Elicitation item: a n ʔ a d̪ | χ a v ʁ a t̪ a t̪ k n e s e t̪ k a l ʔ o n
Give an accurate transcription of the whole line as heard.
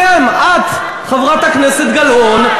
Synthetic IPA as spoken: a m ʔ a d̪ | χ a v ʁ a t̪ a k n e s e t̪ ɡ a l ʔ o n